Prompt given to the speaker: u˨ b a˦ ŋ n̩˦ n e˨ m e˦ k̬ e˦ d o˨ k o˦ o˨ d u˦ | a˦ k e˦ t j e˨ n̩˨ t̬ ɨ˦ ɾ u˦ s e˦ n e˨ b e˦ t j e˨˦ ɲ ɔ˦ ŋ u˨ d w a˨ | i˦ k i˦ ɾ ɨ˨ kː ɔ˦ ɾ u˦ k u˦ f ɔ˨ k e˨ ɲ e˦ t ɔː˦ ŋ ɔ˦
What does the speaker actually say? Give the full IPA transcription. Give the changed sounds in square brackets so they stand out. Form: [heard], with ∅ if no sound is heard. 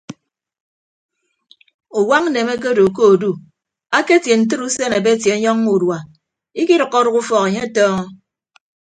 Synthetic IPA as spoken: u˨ [w] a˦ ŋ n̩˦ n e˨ m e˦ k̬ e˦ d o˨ k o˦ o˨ d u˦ | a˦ k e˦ t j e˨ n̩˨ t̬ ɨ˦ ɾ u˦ s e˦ n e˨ b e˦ t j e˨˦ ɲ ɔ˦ ŋ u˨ d w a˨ | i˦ k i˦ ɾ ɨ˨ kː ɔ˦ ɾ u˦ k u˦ f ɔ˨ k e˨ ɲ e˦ t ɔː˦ ŋ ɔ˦